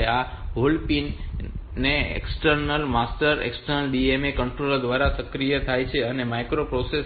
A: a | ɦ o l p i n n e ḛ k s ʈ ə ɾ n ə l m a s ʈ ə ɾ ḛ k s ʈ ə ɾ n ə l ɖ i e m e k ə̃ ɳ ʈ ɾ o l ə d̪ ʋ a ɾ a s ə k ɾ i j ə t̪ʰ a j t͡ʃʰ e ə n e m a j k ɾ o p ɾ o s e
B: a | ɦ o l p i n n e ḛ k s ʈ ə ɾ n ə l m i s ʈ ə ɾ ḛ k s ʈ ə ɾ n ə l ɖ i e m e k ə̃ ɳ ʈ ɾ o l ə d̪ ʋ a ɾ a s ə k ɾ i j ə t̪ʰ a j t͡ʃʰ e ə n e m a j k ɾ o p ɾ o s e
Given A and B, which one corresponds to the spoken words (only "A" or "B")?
A